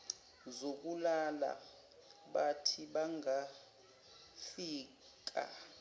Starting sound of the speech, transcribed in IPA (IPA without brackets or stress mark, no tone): z